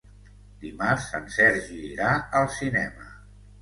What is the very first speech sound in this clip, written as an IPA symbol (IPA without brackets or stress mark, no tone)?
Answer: d̪